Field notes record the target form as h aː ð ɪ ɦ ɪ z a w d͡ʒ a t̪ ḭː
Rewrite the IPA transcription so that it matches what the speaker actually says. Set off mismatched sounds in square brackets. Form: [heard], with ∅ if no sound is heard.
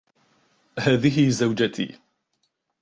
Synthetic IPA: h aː ð ɪ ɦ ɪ z a w d͡ʒ a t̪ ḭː